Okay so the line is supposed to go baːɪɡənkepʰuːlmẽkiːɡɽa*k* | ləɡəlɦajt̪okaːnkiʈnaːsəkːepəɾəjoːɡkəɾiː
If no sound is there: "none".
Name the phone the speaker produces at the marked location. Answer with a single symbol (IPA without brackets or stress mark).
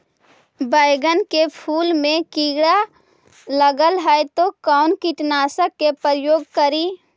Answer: none